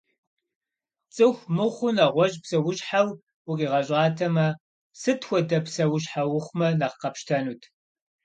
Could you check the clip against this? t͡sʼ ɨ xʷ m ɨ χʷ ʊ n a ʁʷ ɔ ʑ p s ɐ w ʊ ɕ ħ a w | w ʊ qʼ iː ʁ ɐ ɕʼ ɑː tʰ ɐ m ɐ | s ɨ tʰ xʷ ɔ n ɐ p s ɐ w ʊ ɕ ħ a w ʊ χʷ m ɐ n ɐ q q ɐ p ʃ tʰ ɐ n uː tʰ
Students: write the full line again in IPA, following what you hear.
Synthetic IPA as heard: t͡sʼ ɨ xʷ m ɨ χʷ ʊ n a ʁʷ ɔ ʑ p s ɐ w ʊ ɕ ħ a w | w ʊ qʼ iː ʁ ɐ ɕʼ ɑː tʰ ɐ m ɐ | s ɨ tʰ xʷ ɔ d ɐ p s ɐ w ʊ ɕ ħ a w ʊ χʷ m ɐ n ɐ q q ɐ p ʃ tʰ ɐ n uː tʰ